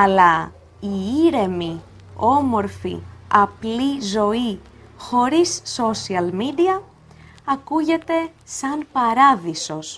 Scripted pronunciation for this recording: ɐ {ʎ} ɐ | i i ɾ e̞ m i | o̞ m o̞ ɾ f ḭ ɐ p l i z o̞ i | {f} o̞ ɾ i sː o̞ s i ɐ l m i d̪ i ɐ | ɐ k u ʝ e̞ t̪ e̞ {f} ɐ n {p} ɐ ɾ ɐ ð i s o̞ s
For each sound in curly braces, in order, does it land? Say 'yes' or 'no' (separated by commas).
no, no, no, yes